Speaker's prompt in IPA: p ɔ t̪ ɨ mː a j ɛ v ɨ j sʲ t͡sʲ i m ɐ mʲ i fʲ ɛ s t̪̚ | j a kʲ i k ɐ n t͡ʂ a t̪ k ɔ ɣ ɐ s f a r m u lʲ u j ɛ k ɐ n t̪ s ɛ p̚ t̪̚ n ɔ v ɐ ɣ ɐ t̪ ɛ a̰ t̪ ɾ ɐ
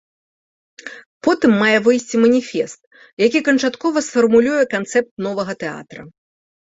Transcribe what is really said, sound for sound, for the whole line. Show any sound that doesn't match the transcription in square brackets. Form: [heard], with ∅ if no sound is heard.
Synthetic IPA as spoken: p ɔ t̪ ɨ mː a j ɛ v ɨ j sʲ t͡sʲ i m ɐ [nʲ] i fʲ ɛ s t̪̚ | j a kʲ i k ɐ n t͡ʂ a t̪ k ɔ [v] ɐ s f [ɐ] r m u lʲ u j ɛ k [a] n t̪ s ɛ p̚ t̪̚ n ɔ v ɐ ɣ ɐ t̪ ɛ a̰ t̪ ɾ ɐ